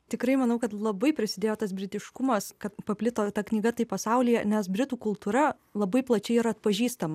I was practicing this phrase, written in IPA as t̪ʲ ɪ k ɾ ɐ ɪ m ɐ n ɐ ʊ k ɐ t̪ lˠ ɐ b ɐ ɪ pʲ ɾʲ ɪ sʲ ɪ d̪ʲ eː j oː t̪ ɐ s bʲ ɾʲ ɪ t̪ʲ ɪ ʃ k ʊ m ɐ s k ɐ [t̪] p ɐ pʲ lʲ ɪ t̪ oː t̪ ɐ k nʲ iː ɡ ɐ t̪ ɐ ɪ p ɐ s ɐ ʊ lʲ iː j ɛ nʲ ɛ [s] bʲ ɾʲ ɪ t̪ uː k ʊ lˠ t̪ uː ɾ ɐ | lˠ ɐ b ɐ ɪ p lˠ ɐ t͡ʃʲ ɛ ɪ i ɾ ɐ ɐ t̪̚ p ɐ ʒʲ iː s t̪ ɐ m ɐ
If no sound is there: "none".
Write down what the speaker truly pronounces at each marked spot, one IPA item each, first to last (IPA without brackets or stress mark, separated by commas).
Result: t̪, s